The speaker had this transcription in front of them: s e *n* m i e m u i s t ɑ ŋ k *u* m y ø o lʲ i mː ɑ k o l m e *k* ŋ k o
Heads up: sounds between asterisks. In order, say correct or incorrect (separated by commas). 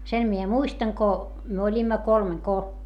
correct, incorrect, incorrect